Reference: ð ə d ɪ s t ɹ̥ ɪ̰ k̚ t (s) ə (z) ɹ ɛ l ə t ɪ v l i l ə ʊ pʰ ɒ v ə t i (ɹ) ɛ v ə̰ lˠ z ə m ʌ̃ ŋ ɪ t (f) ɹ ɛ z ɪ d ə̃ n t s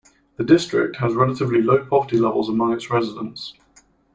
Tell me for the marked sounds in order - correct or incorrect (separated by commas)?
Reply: incorrect, correct, incorrect, incorrect